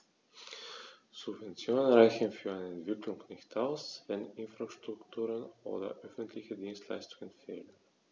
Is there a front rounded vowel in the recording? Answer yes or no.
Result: yes